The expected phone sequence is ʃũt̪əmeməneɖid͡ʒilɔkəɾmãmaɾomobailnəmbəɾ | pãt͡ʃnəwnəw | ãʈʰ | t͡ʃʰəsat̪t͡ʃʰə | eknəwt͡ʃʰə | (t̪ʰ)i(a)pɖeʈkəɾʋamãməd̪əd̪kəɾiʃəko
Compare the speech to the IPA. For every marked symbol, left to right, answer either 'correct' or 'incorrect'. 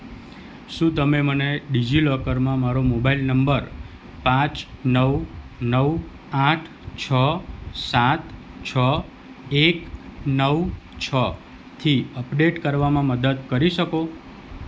correct, incorrect: ə

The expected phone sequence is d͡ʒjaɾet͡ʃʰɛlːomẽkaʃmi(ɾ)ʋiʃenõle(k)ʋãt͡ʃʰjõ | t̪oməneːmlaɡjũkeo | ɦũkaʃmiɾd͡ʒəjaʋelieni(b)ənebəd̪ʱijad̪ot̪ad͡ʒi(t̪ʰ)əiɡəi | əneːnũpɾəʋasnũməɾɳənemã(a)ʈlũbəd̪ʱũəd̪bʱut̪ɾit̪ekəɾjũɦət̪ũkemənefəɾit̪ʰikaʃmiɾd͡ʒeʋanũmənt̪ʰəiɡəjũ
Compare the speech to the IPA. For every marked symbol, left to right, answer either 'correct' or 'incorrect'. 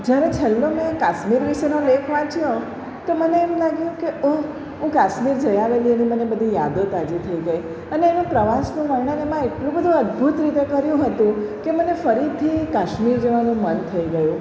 correct, incorrect: kʰ, incorrect: m, correct, incorrect: e

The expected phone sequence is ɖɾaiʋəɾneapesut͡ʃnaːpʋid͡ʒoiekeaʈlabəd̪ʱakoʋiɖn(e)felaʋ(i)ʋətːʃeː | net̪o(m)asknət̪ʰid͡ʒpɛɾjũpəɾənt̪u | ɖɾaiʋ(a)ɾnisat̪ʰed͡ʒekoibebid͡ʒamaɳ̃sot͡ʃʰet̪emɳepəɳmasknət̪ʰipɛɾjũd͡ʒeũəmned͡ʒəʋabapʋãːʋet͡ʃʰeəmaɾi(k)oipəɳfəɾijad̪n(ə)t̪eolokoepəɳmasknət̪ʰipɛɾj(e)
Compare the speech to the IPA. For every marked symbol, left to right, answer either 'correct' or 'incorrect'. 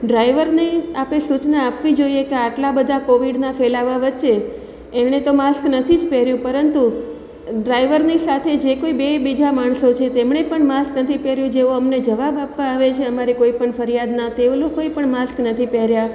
incorrect: a, incorrect: a, correct, incorrect: ə, correct, incorrect: a, incorrect: a

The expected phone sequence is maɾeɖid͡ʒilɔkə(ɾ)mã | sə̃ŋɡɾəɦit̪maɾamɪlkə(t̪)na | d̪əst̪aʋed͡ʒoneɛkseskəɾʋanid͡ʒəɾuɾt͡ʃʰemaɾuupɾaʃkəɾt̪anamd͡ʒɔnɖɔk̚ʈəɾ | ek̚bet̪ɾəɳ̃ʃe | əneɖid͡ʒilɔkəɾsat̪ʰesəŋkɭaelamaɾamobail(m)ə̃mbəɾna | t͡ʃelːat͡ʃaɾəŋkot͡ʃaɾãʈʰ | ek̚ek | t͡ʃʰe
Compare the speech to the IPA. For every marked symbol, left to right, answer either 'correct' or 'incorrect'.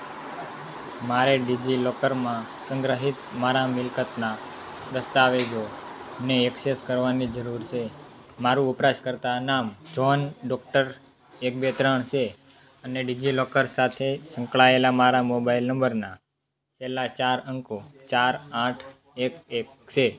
correct, correct, incorrect: n

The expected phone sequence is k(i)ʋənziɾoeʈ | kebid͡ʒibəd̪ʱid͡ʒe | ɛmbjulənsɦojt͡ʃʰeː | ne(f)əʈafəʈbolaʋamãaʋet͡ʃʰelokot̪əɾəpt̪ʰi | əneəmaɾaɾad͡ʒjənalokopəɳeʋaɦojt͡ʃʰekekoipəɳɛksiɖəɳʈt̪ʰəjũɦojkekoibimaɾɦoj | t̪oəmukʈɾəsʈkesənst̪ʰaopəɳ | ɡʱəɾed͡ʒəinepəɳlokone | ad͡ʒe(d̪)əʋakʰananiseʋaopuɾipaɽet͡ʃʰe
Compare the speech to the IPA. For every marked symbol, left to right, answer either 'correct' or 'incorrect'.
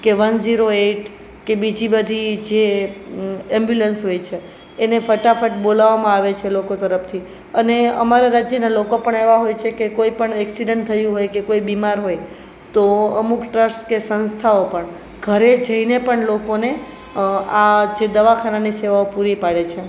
incorrect: e, correct, correct

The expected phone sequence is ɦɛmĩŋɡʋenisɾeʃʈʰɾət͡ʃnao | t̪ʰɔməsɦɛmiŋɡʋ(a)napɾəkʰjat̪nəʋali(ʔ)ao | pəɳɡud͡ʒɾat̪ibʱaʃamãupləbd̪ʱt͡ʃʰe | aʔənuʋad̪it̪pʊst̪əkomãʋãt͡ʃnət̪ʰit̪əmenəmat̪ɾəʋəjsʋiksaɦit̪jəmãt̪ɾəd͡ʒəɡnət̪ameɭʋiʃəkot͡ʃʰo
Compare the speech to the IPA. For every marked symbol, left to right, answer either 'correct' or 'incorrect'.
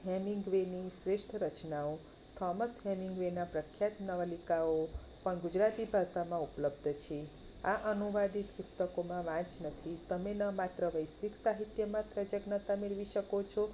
incorrect: e, incorrect: k

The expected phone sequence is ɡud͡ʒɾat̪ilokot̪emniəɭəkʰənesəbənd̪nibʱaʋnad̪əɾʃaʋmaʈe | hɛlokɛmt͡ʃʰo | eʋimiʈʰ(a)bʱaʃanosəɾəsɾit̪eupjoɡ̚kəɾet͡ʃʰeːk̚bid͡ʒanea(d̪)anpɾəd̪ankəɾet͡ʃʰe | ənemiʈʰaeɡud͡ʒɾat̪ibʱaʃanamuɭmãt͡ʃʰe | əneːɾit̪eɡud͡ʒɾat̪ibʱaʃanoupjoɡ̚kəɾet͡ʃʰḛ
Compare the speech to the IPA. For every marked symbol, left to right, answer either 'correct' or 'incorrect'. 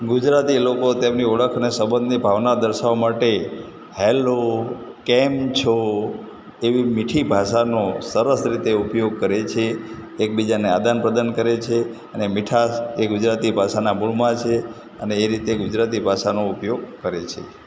incorrect: i, correct

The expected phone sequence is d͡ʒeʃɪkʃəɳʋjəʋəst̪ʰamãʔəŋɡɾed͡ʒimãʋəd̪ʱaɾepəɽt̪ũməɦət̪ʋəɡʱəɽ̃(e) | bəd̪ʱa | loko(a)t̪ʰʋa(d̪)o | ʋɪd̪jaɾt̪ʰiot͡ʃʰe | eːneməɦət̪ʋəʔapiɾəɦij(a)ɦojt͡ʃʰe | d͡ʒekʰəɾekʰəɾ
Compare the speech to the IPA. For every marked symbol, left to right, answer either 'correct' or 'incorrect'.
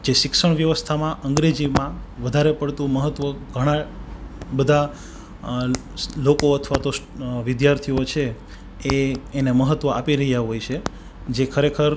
incorrect: a, incorrect: ə, incorrect: t̪, correct

